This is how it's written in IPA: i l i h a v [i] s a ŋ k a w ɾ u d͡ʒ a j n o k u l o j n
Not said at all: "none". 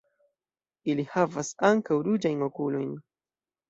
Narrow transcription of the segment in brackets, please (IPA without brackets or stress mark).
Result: a